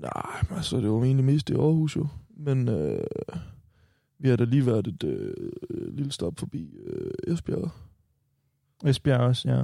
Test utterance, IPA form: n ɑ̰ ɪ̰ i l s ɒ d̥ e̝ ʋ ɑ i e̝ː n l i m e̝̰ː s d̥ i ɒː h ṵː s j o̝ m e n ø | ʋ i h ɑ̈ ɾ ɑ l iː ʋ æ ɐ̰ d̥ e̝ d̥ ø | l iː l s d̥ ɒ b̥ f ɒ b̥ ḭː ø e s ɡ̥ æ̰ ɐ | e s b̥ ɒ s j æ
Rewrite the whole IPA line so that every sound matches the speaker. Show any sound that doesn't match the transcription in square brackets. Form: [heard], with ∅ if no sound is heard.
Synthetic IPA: n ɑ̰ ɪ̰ [æ] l s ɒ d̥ e̝ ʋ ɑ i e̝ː n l i m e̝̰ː s d̥ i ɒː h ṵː s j o̝ m e n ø | ʋ i h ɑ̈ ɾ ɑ l iː ʋ æ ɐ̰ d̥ e̝ d̥ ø | l [i] l s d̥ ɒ b̥ f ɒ b̥ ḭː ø e s [b̥] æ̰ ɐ | e s b̥ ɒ s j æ